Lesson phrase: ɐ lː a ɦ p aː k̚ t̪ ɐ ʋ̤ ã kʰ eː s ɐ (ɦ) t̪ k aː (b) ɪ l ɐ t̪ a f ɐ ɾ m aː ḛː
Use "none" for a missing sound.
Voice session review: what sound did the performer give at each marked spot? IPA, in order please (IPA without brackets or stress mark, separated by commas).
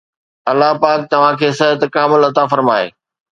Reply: ɦ, m